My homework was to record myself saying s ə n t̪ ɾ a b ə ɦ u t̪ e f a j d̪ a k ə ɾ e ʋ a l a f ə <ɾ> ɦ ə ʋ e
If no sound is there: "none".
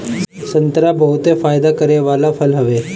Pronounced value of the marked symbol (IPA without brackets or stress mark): l